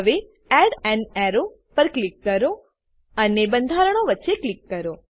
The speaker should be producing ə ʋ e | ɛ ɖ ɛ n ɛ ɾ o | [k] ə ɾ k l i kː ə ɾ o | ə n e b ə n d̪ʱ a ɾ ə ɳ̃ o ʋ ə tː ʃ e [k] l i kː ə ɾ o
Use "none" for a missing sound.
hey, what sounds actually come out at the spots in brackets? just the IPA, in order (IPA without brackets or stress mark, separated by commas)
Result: p, k